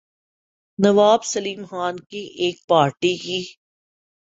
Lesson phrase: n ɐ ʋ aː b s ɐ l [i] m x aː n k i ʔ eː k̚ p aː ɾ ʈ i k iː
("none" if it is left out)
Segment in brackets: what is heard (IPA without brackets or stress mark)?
iː